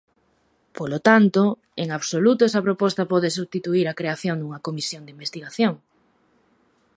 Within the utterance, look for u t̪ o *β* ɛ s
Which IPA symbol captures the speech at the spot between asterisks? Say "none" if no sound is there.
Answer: none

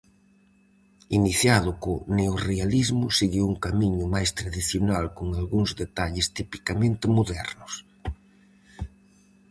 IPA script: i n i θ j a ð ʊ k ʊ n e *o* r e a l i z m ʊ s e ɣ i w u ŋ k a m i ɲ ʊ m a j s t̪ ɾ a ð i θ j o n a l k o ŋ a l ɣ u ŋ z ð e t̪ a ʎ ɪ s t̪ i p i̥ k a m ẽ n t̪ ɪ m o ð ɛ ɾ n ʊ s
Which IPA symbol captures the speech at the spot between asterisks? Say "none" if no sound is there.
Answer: o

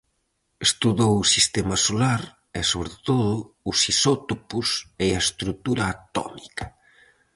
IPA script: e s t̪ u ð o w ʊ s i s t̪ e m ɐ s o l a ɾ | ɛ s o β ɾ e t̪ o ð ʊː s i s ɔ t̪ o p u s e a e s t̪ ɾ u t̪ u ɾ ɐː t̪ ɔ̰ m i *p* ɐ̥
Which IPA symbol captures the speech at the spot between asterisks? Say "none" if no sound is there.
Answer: k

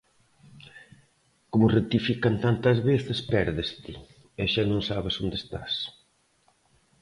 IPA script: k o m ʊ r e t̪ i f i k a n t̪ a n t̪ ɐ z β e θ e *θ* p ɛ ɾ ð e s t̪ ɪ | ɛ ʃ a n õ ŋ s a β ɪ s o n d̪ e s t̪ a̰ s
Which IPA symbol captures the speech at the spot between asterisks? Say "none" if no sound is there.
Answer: s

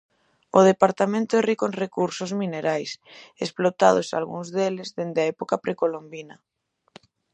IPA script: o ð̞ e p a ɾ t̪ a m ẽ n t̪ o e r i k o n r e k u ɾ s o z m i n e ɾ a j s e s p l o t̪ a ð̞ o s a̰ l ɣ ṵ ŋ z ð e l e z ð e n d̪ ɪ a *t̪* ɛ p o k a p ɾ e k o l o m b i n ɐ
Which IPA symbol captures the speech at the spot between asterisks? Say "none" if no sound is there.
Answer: none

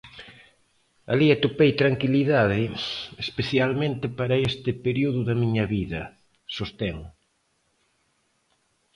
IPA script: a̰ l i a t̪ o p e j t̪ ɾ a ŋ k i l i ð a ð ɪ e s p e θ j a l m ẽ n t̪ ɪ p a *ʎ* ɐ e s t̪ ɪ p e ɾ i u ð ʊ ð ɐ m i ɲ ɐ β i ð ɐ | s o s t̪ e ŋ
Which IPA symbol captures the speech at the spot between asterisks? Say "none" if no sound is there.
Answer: ɾ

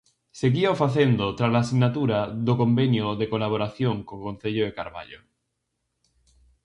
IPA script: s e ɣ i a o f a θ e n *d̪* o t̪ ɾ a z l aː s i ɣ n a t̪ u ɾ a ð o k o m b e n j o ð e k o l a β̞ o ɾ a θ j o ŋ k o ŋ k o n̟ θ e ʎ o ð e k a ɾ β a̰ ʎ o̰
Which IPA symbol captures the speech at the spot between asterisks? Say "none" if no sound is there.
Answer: d̪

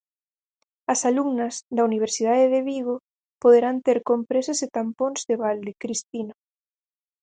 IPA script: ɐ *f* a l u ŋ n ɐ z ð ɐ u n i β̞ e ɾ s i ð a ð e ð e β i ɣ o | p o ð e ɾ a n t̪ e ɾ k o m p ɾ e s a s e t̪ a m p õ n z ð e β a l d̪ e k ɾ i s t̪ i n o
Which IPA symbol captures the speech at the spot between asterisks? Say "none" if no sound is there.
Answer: s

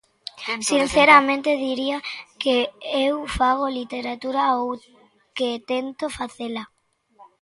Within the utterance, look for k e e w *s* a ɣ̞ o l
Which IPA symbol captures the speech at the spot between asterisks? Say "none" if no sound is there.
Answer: f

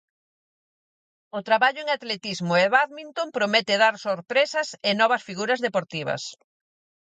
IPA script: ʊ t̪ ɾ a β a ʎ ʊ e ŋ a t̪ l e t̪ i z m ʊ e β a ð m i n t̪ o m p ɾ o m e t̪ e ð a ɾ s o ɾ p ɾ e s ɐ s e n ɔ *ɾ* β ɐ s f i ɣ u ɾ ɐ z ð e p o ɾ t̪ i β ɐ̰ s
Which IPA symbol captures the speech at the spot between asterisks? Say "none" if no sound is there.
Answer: none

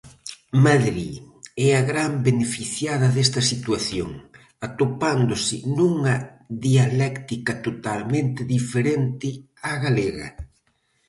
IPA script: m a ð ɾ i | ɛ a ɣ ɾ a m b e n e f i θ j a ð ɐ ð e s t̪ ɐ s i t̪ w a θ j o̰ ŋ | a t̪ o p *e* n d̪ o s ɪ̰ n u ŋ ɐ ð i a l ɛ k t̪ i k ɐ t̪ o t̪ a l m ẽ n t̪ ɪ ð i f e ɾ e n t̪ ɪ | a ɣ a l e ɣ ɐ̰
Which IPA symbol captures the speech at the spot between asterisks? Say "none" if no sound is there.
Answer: a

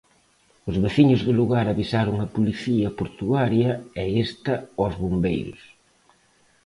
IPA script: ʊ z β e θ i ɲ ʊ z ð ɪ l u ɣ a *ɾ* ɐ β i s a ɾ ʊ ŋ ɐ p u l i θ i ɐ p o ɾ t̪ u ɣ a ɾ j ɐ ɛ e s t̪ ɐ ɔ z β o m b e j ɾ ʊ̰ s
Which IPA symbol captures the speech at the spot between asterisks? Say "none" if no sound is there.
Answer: ɾ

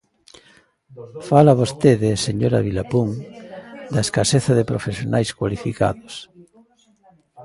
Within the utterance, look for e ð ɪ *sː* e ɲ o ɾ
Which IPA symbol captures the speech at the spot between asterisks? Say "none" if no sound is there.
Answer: s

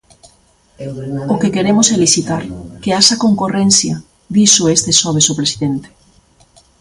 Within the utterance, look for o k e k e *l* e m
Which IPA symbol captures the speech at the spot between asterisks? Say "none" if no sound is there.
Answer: ɾ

